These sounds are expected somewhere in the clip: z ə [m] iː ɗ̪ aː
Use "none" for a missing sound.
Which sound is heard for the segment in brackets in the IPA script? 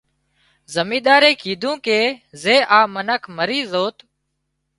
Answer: m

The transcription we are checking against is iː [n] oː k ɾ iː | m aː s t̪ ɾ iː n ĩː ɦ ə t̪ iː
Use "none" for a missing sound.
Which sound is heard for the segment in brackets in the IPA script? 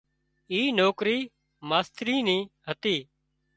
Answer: n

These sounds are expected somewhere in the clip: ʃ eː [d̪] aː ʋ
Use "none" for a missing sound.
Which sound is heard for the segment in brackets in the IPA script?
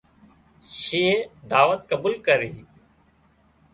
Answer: d̪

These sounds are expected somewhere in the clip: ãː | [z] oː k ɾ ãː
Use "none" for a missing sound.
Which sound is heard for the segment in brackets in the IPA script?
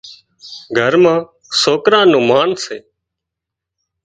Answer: s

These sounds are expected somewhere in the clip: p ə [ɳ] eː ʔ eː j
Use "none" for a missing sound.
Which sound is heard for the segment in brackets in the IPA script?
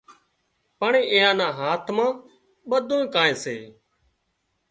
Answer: ɳ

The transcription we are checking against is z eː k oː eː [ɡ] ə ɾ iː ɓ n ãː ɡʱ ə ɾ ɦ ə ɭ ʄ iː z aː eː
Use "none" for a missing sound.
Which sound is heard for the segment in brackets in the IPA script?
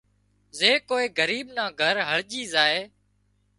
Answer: ɡ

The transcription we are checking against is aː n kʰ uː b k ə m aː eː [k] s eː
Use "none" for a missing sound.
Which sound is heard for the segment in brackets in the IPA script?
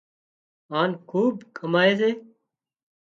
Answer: none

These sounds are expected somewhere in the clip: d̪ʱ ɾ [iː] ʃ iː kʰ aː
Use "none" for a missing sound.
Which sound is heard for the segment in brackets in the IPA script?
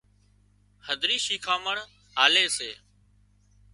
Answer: iː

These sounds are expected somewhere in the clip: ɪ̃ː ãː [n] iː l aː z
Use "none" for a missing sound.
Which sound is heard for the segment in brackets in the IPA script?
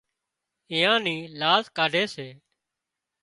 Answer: n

